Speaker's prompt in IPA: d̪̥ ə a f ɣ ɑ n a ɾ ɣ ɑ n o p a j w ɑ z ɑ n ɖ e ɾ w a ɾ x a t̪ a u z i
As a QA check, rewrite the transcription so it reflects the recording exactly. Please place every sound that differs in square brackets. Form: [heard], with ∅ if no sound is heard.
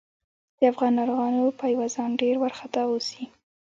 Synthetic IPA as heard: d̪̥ ə a f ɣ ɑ n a ɾ ɣ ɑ n o p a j w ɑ z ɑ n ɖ e ɾ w a ɾ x a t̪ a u [s] i